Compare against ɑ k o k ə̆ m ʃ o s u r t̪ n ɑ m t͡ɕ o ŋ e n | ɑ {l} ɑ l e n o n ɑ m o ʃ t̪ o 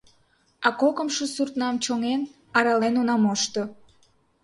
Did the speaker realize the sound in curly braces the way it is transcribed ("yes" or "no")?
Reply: no